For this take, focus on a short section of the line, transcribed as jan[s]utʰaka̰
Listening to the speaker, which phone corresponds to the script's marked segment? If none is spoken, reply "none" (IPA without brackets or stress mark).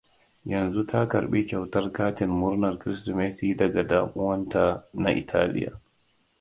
z